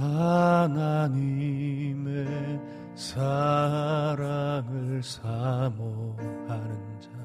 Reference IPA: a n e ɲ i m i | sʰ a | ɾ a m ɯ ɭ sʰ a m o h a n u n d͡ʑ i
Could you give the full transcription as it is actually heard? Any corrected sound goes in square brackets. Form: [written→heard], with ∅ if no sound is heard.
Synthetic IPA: a n [e→a] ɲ i m [i→e] | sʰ a | ɾ a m ɯ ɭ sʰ a m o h a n [u→ɯ] n d͡ʑ [i→a]